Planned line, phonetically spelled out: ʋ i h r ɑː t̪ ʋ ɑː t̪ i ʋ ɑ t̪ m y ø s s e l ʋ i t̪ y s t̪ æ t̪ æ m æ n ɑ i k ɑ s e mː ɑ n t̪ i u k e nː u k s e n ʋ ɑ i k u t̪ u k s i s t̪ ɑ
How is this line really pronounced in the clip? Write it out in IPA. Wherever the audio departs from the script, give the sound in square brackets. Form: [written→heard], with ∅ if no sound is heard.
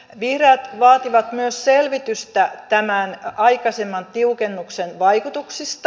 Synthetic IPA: ʋ i h r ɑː t̪ ʋ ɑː t̪ i ʋ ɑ t̪ m y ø s s e l ʋ i t̪ y s t̪ æ t̪ æ m æ n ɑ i k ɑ s e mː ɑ n t̪ i u k e nː u k s e n ʋ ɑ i k u t̪ u k s i s t̪ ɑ